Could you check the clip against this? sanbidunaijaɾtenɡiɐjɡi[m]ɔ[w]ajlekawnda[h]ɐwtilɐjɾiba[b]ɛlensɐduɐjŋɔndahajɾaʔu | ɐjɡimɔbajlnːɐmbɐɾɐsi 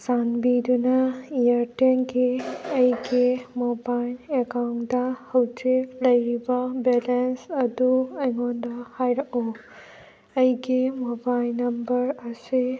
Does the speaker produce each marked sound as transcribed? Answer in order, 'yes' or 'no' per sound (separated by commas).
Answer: yes, no, yes, yes